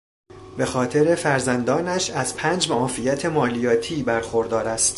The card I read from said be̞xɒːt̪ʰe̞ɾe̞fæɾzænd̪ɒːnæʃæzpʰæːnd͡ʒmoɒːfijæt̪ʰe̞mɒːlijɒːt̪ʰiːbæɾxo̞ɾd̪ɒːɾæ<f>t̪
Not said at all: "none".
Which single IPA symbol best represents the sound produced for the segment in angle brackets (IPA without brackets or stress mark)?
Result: s